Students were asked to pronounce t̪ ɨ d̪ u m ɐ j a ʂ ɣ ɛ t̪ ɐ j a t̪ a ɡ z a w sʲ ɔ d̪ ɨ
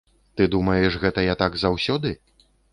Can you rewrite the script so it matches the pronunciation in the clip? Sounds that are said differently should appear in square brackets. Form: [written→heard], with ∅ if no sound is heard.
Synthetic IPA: t̪ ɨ d̪ u m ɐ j [a→ɛ] ʂ ɣ ɛ t̪ ɐ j a t̪ a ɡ z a w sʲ ɔ d̪ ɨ